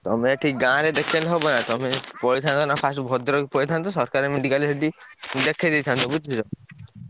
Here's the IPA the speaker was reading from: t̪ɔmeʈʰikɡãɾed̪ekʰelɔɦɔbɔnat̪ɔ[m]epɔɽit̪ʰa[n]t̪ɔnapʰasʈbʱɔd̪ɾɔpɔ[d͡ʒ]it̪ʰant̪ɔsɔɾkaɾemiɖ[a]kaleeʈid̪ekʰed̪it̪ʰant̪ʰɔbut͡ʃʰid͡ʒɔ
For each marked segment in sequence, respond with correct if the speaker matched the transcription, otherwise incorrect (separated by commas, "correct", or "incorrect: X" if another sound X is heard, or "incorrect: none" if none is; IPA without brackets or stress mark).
correct, correct, incorrect: none, incorrect: i